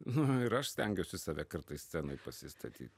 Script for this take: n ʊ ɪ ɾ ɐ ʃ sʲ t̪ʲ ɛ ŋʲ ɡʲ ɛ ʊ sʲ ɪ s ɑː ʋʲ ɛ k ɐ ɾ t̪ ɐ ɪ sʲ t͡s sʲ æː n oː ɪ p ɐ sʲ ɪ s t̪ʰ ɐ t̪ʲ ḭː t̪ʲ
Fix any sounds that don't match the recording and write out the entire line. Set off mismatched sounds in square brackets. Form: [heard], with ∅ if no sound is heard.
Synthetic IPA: n ʊ ɪ ɾ ɐ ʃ sʲ t̪ʲ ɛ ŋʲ ɡʲ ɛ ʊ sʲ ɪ s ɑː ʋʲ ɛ k ɐ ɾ t̪ ɐ ɪ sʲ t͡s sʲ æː n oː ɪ p ɐ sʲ ɪ s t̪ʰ ɐ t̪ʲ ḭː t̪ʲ